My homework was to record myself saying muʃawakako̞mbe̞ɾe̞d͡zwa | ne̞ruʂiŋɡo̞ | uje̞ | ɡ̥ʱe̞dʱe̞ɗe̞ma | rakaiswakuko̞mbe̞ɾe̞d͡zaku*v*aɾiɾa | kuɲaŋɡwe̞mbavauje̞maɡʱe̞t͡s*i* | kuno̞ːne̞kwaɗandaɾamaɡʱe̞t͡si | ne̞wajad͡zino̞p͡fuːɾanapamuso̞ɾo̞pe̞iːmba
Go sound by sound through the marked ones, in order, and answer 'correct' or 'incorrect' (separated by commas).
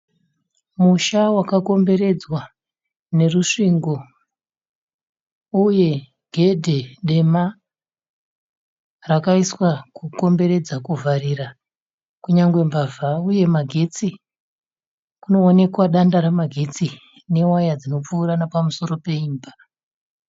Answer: correct, correct